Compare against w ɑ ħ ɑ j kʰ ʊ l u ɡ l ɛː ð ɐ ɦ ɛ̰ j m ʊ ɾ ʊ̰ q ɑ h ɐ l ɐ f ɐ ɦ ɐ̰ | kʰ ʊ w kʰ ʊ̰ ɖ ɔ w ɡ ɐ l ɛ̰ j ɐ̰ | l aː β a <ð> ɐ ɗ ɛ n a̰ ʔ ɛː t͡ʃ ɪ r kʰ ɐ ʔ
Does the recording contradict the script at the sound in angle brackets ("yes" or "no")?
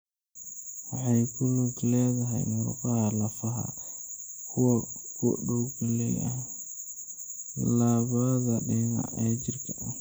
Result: no